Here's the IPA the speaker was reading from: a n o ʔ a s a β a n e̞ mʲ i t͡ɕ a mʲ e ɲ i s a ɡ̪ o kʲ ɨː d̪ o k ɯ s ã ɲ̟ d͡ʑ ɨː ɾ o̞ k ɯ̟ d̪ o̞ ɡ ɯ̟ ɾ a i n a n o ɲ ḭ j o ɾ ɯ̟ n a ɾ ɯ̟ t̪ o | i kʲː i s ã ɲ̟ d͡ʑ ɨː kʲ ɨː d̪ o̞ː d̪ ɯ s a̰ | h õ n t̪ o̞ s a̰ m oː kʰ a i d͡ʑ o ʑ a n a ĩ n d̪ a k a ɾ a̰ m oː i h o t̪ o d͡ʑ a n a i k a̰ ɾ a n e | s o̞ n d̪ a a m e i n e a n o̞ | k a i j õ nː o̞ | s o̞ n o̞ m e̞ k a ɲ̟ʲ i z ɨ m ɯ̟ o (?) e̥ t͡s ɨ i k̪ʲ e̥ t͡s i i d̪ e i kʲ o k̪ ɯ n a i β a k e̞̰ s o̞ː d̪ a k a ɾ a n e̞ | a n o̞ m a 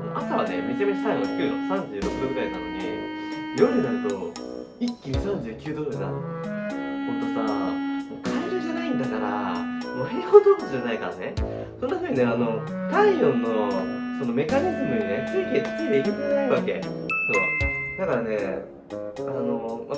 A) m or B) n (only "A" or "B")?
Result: B